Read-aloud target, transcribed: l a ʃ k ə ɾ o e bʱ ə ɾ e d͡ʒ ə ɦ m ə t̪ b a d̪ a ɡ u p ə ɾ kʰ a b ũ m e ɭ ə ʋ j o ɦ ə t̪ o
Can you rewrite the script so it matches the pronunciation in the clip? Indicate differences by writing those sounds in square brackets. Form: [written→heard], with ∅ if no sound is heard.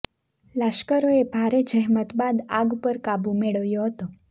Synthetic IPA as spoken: l a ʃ k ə ɾ o e bʱ [ə→a] ɾ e d͡ʒ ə ɦ m ə t̪ b a d̪ a ɡ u p ə ɾ [kʰ→k] a b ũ m e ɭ ə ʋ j o ɦ ə t̪ o